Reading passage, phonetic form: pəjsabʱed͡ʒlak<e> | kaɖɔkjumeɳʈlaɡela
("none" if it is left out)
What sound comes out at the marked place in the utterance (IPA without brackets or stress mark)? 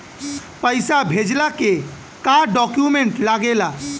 e